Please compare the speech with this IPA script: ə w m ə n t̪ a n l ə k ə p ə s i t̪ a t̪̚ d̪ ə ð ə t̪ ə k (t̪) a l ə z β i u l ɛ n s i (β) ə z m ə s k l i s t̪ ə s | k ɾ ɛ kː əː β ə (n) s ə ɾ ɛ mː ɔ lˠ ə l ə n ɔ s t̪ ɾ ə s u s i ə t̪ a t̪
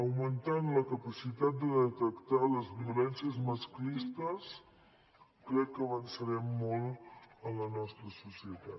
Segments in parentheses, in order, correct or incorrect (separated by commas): correct, incorrect, correct